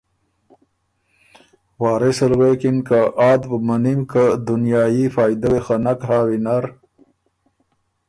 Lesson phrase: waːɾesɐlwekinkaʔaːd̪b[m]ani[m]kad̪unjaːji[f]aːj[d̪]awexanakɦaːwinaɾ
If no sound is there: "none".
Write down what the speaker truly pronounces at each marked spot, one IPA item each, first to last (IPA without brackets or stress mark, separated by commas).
m, m, f, d̪